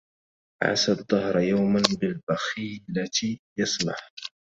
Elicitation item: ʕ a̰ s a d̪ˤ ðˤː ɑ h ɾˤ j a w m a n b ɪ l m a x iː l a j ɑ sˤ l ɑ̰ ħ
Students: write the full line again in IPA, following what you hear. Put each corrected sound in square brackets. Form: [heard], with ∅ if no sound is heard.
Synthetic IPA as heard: ʕ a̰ s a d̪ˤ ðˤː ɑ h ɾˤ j a w m a n b ɪ l [b] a x iː l a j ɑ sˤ l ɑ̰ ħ